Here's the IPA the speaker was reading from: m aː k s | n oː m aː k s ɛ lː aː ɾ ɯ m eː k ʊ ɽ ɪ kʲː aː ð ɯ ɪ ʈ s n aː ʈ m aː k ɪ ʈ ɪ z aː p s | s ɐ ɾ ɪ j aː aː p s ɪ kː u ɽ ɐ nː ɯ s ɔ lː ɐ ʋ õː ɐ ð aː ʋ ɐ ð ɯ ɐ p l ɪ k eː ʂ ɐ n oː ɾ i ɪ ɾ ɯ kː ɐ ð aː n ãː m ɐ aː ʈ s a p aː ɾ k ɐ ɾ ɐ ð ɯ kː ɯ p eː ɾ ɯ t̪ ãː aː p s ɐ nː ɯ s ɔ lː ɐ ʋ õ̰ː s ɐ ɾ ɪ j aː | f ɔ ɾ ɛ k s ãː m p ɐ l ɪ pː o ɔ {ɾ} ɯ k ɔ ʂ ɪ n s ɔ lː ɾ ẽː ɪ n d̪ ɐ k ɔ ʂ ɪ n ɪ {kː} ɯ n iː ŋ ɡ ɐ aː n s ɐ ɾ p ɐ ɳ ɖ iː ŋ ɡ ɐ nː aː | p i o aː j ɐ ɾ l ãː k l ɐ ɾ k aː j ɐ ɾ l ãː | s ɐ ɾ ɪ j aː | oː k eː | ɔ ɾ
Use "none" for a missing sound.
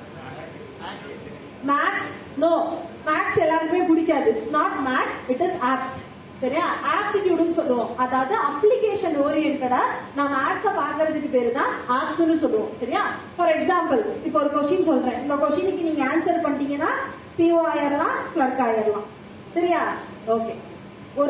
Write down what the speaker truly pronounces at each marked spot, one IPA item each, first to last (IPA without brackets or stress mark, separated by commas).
ɾ, kː